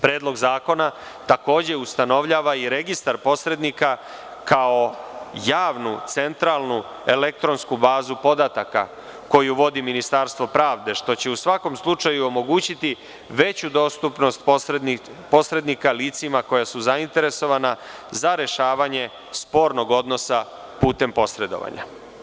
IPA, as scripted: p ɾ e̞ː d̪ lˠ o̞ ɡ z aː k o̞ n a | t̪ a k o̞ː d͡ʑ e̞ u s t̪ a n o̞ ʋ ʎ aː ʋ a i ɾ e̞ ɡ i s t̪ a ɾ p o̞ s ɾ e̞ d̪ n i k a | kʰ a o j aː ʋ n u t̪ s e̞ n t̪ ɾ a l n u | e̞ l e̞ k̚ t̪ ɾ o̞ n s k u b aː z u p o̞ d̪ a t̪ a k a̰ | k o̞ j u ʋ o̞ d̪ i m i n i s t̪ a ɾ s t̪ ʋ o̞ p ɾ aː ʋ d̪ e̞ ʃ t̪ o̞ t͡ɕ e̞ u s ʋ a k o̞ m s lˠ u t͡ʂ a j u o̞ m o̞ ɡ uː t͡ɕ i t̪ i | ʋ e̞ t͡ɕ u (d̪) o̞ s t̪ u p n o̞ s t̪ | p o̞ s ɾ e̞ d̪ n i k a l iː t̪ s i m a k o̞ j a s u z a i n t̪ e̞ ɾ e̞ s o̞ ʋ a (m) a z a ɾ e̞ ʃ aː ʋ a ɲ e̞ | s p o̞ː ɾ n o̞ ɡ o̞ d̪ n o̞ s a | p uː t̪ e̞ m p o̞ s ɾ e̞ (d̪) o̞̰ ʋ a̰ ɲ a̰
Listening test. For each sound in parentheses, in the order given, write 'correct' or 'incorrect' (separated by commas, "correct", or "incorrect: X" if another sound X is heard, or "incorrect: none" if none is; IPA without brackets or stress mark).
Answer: correct, incorrect: n, correct